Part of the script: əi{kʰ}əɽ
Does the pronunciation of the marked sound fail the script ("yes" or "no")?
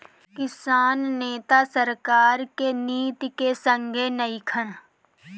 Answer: no